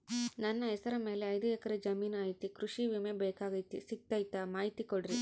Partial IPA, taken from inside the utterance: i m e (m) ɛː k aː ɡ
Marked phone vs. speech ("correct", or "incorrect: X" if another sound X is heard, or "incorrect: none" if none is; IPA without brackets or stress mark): incorrect: b